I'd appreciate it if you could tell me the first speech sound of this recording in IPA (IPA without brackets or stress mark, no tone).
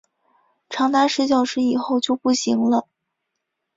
ʈ͡ʂʰ